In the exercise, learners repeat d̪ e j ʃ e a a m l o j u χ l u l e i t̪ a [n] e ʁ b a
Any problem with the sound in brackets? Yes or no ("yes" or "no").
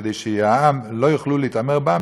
yes